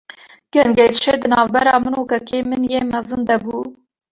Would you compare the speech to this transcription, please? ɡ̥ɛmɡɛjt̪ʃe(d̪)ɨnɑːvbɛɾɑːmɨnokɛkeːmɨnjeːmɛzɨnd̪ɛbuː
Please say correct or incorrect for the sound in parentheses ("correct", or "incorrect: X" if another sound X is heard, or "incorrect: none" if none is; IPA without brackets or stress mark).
correct